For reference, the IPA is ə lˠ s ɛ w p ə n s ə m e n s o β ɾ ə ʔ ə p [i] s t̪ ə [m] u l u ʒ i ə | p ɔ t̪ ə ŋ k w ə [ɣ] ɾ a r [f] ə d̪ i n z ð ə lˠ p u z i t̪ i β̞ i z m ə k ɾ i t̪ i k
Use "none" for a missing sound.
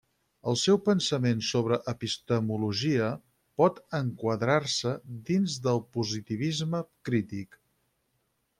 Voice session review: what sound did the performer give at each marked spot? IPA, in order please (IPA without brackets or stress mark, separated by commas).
i, m, ð, s